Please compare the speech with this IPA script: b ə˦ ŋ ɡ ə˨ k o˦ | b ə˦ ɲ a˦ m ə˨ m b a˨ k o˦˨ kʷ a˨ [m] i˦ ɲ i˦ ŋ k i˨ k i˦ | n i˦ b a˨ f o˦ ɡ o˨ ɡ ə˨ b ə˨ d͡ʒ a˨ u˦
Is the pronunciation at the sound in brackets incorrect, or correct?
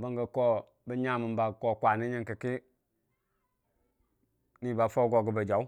incorrect: n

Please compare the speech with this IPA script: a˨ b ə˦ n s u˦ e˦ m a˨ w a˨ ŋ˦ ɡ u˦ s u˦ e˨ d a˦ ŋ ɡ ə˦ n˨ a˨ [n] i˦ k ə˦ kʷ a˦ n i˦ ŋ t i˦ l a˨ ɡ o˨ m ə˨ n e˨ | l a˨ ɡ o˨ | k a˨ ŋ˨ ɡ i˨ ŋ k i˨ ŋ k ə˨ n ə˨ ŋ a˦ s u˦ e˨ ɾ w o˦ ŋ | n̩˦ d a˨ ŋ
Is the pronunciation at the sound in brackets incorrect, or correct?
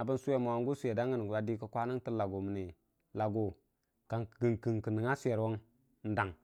incorrect: d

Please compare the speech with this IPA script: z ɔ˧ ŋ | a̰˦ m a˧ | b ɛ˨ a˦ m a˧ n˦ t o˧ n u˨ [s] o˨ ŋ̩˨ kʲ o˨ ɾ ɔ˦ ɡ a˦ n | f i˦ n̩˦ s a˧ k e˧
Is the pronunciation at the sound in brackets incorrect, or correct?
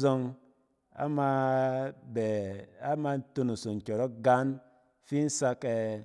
correct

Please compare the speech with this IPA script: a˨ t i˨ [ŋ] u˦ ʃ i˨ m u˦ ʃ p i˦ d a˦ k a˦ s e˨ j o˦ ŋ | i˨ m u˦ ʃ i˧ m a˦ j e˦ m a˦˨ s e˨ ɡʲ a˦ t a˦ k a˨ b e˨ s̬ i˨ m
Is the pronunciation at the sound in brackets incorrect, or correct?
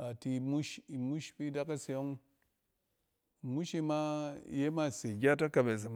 incorrect: m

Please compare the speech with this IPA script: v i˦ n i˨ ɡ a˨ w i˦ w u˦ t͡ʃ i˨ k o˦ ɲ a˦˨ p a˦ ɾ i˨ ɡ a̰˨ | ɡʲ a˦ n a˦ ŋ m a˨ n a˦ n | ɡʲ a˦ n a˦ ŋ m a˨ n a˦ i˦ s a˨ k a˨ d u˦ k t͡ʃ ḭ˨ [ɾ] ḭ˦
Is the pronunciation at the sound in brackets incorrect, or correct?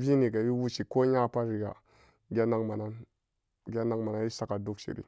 correct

